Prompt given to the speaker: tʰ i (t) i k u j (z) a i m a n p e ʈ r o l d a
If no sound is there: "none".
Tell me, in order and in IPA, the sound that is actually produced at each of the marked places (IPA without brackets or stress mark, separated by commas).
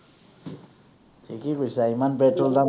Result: k, s